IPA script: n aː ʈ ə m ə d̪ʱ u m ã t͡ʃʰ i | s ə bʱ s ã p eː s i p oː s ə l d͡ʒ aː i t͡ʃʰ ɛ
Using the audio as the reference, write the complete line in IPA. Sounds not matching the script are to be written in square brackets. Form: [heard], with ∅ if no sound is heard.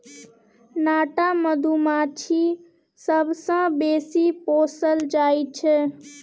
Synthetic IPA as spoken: n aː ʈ [a] m ə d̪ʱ u m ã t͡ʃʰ i | s ə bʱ s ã [b] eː s i p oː s ə l d͡ʒ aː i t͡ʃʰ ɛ